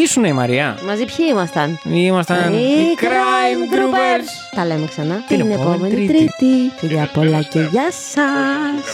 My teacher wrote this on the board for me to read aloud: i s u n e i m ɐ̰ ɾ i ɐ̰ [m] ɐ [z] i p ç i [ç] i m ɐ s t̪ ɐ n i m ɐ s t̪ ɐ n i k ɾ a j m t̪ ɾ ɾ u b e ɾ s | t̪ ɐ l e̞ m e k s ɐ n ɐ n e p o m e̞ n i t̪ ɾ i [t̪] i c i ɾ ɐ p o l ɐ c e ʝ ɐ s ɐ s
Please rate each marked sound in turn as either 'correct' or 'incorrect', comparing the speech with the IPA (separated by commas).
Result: correct, correct, incorrect, correct